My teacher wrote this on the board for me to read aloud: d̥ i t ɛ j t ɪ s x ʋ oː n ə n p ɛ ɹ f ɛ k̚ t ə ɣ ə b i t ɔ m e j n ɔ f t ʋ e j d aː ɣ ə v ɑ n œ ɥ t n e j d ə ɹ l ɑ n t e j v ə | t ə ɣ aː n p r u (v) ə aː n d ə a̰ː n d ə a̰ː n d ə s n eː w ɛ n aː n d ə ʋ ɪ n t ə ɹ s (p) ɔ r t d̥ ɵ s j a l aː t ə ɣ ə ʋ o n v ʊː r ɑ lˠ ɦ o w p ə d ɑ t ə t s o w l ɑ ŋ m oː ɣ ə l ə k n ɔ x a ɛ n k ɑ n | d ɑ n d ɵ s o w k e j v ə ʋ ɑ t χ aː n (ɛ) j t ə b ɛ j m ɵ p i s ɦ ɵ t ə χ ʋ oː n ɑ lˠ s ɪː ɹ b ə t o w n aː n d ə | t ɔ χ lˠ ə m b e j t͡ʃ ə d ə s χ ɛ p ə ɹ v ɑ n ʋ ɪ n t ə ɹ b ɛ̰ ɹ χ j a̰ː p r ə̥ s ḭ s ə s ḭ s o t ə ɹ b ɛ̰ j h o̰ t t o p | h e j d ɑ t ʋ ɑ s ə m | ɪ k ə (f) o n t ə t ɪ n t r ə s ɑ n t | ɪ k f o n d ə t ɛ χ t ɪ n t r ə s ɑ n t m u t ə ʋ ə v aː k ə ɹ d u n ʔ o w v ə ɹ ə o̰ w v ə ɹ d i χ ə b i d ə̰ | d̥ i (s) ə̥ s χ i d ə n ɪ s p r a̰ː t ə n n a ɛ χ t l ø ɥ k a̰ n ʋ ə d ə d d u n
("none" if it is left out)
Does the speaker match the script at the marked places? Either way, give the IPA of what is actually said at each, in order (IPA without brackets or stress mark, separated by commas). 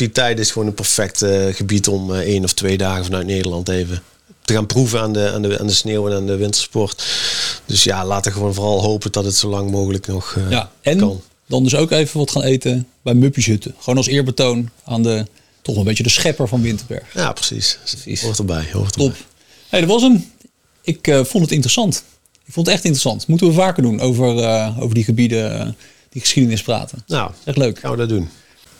v, p, e, f, χ